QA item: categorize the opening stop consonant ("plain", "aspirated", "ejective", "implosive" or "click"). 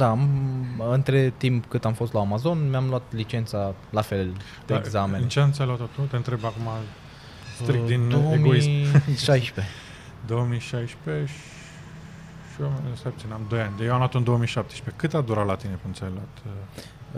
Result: plain